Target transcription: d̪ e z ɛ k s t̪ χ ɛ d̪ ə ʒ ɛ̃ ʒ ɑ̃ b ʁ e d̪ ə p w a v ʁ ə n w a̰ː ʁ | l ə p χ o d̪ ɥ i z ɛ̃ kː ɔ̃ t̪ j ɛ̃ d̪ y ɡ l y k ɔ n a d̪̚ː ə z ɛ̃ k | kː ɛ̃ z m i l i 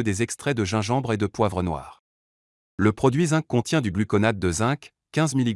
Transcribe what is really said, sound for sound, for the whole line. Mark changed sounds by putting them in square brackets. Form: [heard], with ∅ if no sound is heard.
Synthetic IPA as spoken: d̪ e z ɛ k s t̪ χ ɛ d̪ ə ʒ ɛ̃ ʒ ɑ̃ b ʁ e d̪ ə p w a v ʁ ə n w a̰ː ʁ | l ə p χ [ɔ] d̪ ɥ i z ɛ̃ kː ɔ̃ t̪ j ɛ̃ d̪ y ɡ l y k ɔ n a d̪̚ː ə z ɛ̃ k | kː ɛ̃ z m i l i